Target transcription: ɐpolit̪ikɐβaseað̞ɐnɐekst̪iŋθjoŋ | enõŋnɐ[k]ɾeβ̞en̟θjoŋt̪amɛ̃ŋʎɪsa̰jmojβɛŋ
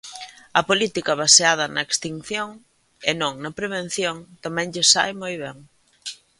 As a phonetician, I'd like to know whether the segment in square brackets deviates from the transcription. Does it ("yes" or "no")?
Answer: yes